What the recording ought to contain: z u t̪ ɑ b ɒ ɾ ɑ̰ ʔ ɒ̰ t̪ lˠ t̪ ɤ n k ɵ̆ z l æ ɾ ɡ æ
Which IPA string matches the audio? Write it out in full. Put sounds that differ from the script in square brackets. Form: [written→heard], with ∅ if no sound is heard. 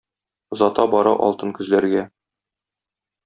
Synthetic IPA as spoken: z [u→ɒ] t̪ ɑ b ɒ ɾ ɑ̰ ʔ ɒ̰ [t̪→∅] lˠ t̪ ɤ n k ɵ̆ z l æ ɾ ɡ æ